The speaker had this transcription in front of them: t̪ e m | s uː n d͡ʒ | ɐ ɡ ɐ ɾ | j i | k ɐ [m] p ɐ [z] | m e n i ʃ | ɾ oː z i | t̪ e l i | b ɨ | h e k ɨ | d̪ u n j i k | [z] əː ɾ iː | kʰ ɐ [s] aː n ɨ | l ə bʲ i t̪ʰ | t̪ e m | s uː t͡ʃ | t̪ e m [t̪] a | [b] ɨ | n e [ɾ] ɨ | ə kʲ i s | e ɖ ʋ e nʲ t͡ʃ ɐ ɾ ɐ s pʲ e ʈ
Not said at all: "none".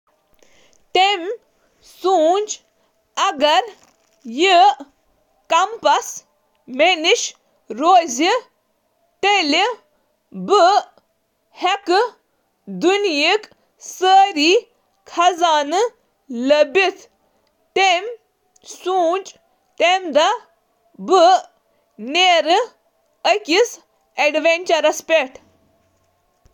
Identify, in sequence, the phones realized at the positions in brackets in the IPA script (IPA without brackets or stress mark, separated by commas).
m, s, s, z, d̪, b, ɾ